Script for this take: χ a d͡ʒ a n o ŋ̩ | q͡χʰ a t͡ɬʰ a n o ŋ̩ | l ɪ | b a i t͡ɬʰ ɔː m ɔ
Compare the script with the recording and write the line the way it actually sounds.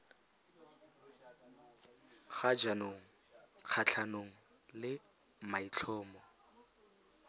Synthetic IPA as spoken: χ a d͡ʒ a n o ŋ̩ | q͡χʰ a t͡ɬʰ a n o ŋ̩ | l ɪ | m a i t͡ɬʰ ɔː m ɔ